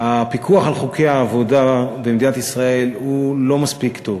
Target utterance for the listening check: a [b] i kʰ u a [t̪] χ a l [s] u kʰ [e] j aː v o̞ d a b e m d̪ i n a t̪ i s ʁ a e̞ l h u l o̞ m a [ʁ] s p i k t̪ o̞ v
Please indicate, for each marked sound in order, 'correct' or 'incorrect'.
incorrect: p, incorrect: none, incorrect: χ, correct, incorrect: none

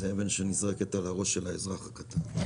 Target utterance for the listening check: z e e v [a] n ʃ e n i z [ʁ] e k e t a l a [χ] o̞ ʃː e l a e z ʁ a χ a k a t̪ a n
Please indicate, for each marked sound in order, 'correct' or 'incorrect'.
incorrect: e, correct, incorrect: ʁ

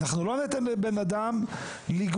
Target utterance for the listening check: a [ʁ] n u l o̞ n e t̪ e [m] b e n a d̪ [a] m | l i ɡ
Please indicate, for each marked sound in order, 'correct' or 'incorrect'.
incorrect: χ, incorrect: n, correct

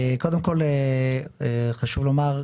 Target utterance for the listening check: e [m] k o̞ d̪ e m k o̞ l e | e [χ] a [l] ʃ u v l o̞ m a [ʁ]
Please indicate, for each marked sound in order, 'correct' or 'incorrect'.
incorrect: none, correct, incorrect: none, correct

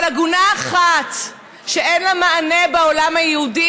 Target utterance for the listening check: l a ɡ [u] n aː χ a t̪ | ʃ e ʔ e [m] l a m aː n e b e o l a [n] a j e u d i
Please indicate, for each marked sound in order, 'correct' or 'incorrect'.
correct, incorrect: n, incorrect: m

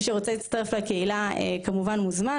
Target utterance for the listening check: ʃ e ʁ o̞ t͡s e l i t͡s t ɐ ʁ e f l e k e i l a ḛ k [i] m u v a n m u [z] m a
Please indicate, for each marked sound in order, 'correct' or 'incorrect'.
incorrect: a, correct

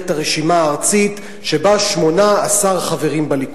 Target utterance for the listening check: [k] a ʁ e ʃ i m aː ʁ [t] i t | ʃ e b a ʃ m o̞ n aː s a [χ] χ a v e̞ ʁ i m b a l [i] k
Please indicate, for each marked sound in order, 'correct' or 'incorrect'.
incorrect: t, incorrect: t͡s, incorrect: ʁ, correct

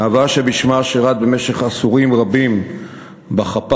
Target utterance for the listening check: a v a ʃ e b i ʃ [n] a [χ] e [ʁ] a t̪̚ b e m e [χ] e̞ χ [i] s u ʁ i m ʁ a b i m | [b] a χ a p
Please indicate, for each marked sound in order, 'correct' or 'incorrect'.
incorrect: m, incorrect: ʃ, correct, incorrect: ʃ, incorrect: a, correct

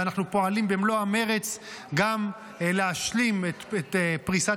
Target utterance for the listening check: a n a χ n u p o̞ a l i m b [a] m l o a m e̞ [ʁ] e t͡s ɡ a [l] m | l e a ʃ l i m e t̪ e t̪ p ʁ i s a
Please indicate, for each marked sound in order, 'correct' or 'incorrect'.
incorrect: e, correct, incorrect: none

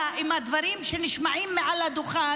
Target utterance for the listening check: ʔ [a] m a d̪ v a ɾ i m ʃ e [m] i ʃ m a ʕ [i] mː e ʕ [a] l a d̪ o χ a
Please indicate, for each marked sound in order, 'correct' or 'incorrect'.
incorrect: i, incorrect: n, correct, correct

